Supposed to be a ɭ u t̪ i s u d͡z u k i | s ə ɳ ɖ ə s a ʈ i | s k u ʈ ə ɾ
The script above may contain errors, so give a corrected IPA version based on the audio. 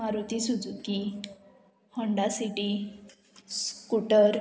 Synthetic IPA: a ɾ u t̪ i s u d͡z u k i | h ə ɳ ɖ a s i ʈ i | s k u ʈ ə ɾ